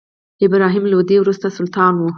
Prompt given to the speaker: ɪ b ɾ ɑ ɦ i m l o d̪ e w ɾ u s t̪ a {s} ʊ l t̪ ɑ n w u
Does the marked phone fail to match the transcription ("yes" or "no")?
no